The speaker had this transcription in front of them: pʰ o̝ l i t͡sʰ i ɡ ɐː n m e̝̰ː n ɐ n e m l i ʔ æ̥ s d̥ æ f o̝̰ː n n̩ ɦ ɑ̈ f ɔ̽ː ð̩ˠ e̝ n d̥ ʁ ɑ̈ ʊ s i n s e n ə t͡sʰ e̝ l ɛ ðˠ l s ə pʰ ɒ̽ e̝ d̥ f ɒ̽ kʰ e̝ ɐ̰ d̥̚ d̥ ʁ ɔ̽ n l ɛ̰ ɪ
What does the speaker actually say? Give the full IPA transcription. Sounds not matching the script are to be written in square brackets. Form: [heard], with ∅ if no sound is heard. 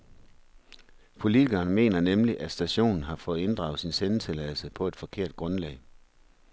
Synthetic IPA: pʰ o̝ l i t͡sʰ i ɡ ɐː n m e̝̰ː n ɐ n e m l i ʔ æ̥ s d̥ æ [ɕ] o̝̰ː n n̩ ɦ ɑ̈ f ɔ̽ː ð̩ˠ e̝ n d̥ ʁ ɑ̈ ʊ s i n s e n ə t͡sʰ e̝ l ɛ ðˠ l s ə pʰ ɒ̽ e̝ d̥ f ɒ̽ kʰ e̝ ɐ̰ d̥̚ [ɡ̥] ʁ ɔ̽ n l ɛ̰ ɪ